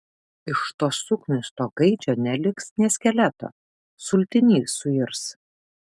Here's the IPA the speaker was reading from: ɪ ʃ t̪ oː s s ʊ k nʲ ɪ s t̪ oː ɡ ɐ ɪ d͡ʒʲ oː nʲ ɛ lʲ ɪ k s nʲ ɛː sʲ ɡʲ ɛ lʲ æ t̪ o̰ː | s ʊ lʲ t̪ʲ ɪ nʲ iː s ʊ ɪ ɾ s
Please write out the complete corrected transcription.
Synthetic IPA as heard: ɪ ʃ t̪ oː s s ʊ k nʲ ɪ s t̪ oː ɡ ɐ ɪ d͡ʒʲ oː nʲ ɛ lʲ ɪ k s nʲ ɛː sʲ kʲ ɛ lʲ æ t̪ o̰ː | s ʊ lʲ t̪ʲ ɪ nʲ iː s ʊ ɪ ɾ s